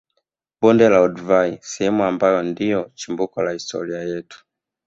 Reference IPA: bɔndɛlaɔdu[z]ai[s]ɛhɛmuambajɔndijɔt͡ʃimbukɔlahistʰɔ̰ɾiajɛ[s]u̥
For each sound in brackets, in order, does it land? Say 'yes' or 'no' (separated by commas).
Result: no, yes, no